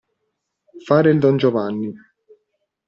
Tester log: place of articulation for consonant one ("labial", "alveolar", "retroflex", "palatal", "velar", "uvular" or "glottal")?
labial